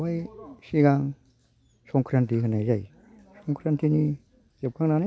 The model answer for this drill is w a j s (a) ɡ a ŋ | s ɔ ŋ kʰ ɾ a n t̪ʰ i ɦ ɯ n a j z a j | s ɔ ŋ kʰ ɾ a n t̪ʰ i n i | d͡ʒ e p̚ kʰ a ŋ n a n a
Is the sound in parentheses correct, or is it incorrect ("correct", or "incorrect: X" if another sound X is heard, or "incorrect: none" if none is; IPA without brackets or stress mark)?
incorrect: i